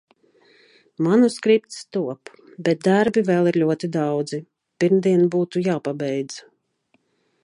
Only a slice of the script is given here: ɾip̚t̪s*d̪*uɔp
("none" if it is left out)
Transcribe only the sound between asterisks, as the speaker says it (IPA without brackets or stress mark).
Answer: t̪